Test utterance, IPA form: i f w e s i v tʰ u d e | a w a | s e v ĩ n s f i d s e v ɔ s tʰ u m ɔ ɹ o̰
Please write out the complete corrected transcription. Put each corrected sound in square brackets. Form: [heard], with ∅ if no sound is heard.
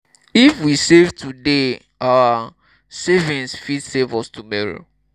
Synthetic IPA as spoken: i f w [i] s [e] v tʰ u d e | a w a | s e v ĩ n s f i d s e v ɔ s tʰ u m ɔ ɹ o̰